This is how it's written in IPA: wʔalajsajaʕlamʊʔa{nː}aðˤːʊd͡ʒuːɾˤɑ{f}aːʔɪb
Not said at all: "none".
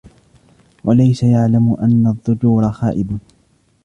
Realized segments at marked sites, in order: nː, x

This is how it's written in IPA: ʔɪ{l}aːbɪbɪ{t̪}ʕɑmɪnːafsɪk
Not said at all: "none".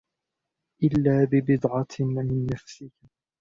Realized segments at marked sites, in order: lː, d̪

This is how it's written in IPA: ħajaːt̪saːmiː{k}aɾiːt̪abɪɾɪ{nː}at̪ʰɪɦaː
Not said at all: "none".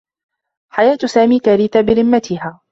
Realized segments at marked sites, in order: k, mː

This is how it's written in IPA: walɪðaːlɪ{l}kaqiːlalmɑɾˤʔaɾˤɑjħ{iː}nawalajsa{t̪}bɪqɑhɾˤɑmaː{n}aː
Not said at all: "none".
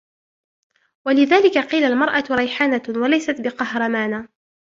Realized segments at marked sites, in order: none, aː, t̪, n

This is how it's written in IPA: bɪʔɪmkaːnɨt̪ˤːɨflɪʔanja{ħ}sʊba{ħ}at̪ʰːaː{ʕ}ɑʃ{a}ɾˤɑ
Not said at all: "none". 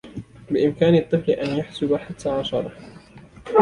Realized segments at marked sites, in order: ħ, ħ, ʕ, ɑ

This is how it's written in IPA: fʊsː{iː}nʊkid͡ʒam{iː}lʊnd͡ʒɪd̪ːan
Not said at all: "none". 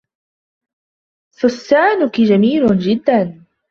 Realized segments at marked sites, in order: aː, iː

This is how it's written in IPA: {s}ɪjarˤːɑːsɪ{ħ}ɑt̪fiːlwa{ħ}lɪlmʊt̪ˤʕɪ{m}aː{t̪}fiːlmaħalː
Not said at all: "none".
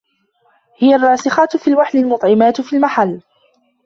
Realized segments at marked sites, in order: h, x, ħ, m, t̪

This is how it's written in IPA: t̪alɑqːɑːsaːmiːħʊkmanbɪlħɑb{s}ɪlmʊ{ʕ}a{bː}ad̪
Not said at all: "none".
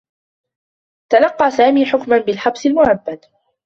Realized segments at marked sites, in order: s, ʕ, bː

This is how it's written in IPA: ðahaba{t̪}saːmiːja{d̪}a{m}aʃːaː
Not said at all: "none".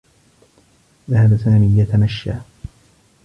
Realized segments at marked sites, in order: none, t̪, m

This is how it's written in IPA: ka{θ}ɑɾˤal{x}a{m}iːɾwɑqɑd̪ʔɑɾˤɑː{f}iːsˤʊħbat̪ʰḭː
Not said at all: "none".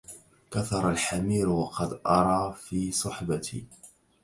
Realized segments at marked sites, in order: θ, ħ, m, f

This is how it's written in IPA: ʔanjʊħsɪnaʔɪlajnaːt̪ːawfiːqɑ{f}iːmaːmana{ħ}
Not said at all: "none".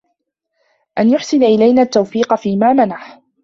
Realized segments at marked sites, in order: f, ħ

